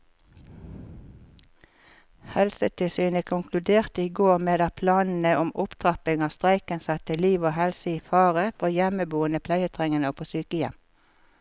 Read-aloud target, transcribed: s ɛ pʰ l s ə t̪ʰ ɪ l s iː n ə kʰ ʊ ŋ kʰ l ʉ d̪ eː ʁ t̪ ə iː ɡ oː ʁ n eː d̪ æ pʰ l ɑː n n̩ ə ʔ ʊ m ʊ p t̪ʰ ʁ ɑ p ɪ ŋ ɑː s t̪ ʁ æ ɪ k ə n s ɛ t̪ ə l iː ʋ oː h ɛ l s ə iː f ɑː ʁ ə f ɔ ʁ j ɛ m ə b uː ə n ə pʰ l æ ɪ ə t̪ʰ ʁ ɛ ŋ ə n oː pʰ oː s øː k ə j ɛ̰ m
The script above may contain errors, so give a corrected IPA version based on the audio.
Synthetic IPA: h ɛ l s ə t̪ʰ ɪ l s yː n ə kʰ ʊ ŋ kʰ l ʉ d̪ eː ʁ t̪ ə iː ɡ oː ʁ m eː d̪ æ pʰ l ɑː n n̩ ə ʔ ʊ m ʊ p t̪ʰ ʁ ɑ p ɪ ŋ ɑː s t̪ ʁ æ ɪ k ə n s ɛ t̪ ə l iː ʋ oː h ɛ l s ə iː f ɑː ʁ ə f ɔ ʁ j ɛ m ə b uː ə n ə pʰ l æ ɪ ə t̪ʰ ʁ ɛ ŋ ə n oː pʰ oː s yː k ə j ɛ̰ m